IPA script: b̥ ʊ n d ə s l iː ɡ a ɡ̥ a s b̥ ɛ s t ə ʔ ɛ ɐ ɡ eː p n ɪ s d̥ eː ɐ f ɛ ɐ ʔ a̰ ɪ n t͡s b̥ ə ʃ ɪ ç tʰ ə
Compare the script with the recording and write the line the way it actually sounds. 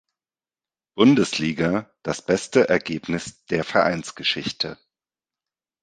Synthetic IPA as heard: b̥ ʊ n d ə s l iː ɡ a d̥ a s b̥ ɛ s t ə ʔ ɛ ɐ ɡ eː p n ɪ s d̥ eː ɐ f ɛ ɐ ʔ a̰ ɪ n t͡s ɡ̥ ə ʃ ɪ ç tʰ ə

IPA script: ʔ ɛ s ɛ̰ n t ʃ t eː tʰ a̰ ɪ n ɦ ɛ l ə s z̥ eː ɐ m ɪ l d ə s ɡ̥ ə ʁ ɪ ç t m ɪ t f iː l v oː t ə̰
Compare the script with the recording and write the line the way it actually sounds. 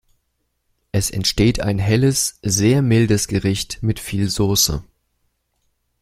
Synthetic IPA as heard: ʔ ɛ s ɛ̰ n t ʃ t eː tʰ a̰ ɪ n ɦ ɛ l ə s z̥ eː ɐ m ɪ l d ə s ɡ̥ ə ʁ ɪ ç t m ɪ t f iː l z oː s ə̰

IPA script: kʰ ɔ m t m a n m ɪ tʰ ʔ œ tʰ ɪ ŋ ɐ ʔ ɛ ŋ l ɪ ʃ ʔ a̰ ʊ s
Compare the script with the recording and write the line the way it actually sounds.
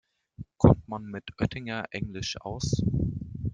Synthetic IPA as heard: kʰ ɔ m t m a n m ɪ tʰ ʔ œ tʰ ɪ ŋ ɐ ʔ ɛ ŋ l ɪ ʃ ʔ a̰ ʊ s

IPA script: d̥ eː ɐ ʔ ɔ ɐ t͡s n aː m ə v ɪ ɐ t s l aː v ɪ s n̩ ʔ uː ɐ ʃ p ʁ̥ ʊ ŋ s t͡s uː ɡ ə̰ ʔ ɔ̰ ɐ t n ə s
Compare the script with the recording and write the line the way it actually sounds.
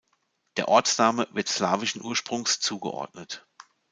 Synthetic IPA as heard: d̥ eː ɐ ʔ ɔ ɐ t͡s n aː m ə v ɪ ɐ t s l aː v ɪ ʃ n̩ ʔ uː ɐ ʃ p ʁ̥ ʊ ŋ s t͡s uː ɡ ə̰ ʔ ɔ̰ ɐ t n ə t

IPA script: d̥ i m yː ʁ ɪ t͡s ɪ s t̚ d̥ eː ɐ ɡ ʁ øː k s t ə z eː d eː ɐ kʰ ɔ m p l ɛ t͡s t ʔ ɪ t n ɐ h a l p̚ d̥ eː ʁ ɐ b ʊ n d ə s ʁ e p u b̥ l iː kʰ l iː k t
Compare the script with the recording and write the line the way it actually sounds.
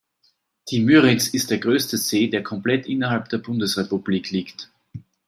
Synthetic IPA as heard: d̥ i m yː ʁ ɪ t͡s ɪ s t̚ d̥ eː ɐ ɡ ʁ øː s t ə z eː d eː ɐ kʰ ɔ m p l ɛ t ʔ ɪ n ɐ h a l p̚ d̥ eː ɐ b ʊ n d ə s ʁ e p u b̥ l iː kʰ l iː k t

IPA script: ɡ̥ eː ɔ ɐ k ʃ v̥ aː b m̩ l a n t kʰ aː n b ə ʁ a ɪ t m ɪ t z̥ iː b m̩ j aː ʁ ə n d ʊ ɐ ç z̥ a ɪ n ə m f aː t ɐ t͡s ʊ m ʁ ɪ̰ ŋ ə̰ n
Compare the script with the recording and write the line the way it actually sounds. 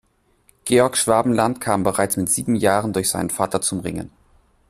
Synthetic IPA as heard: ɡ̥ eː ɔ ɐ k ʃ v̥ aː b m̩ l a n t kʰ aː m b ə ʁ a ɪ t͡s m ɪ t z̥ iː b m̩ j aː ʁ ə n d ʊ ɐ ç z̥ a ɪ n ə n f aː t ɐ t͡s ʊ m ʁ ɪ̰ ŋ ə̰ n

